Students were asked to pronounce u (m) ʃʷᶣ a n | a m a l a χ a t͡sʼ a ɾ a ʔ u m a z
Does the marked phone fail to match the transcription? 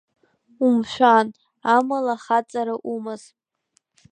no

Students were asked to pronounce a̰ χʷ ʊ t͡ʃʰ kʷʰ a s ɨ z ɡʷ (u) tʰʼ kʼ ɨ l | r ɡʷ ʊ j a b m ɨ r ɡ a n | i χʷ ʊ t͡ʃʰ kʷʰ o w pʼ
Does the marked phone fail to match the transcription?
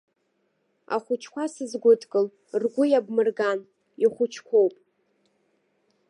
yes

